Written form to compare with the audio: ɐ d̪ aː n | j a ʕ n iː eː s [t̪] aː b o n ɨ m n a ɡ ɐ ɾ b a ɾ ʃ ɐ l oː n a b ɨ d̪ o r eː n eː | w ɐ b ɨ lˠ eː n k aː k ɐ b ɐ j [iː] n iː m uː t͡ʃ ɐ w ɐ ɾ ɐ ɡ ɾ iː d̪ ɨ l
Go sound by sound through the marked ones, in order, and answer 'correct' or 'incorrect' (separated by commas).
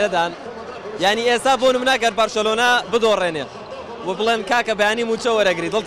correct, incorrect